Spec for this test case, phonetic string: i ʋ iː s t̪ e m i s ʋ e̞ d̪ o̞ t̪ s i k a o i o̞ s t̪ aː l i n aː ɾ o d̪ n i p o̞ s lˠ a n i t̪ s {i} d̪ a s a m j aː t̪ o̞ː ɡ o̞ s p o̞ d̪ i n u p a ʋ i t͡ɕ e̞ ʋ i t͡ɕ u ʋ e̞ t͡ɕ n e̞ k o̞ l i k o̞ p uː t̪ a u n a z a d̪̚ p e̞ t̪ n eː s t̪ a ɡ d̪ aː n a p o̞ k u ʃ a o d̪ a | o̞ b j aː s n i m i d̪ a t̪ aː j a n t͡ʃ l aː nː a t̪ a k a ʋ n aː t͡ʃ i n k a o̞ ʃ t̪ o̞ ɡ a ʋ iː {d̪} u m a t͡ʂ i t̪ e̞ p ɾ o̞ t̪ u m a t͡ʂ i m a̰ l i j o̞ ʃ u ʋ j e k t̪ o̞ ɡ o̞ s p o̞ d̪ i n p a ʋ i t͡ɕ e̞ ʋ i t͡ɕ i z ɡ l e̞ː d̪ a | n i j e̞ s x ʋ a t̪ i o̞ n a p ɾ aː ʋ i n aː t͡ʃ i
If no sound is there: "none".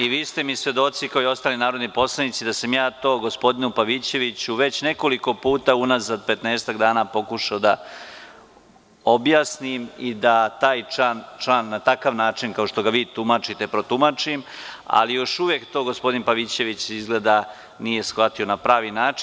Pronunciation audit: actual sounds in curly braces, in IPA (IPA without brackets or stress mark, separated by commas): i, t̪